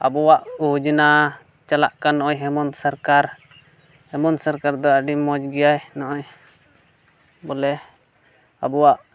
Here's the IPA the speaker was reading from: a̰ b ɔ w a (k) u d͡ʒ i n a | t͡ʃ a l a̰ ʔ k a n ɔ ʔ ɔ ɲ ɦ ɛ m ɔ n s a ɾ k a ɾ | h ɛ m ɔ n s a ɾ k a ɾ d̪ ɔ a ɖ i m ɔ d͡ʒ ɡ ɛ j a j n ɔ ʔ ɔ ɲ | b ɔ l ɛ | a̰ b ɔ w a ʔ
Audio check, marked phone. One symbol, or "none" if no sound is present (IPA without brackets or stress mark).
ʔ